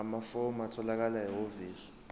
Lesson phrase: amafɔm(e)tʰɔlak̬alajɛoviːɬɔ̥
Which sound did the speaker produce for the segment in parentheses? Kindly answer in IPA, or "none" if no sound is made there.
a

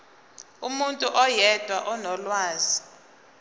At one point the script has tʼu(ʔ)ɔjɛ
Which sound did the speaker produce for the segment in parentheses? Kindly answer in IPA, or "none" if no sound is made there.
ʔ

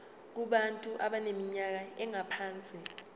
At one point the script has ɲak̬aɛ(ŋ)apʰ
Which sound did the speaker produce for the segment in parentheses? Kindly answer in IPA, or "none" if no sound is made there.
ŋ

